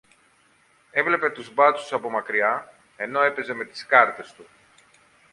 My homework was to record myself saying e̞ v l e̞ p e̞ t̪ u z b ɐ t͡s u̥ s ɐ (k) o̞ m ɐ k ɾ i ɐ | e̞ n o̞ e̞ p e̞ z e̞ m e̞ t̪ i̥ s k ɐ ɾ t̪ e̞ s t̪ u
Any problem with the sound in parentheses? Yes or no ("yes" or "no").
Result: yes